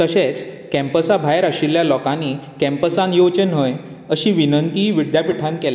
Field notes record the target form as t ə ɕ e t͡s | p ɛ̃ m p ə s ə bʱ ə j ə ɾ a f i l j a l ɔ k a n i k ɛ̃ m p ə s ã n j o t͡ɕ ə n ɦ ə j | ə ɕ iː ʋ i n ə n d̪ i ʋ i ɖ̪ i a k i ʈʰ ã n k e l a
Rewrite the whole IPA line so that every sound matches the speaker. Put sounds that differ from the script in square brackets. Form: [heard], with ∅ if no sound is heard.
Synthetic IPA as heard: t ə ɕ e t͡s | [k] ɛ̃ m p ə s [a] bʱ [a] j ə ɾ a [ɕ] i l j a l ɔ k a n i k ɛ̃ m p ə s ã n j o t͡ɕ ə n ɦ ə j | ə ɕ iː ʋ i n ə n [t̪] i ʋ i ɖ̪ [j] a [p] i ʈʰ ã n k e l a

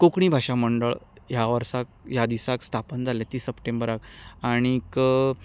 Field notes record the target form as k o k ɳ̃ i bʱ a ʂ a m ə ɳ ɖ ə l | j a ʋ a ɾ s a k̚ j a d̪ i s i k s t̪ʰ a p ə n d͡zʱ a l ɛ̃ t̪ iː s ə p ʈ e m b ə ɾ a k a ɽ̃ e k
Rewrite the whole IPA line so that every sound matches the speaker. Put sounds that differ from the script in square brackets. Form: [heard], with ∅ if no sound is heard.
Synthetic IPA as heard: k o k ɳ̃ i bʱ a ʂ a m ə ɳ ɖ ə [ɭ] | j a ʋ [ə] ɾ s a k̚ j a d̪ i s [a] k s t̪ʰ a p ə n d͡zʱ a l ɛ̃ t̪ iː s ə p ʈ e m b ə ɾ a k a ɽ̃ [i] k

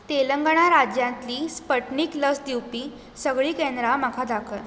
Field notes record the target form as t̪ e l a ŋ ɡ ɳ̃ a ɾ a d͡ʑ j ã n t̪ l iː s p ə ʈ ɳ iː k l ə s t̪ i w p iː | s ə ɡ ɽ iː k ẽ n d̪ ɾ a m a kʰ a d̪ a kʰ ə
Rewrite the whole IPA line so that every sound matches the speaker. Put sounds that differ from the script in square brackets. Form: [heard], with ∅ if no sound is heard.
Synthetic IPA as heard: t̪ e l [ə] ŋ ɡ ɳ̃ a ɾ a d͡ʑ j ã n t̪ l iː s p ə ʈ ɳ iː k l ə s [d̪] i w p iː | s ə ɡ [ɭ] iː k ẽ n d̪ ɾ a m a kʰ a d̪ a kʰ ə

